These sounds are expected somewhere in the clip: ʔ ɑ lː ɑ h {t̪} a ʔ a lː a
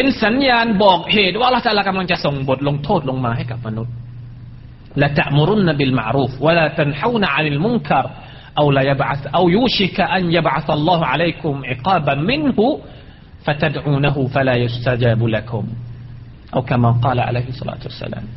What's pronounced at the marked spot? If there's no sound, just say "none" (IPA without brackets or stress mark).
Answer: t̪